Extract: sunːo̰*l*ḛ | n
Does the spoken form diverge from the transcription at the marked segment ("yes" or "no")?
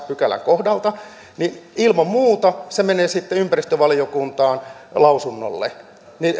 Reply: yes